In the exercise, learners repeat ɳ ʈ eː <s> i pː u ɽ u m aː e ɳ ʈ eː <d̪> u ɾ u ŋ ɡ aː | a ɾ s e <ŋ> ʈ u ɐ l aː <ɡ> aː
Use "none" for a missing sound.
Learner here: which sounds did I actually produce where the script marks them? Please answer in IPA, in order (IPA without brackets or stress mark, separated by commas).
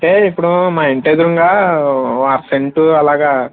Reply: none, d̪, ɳ, ɡ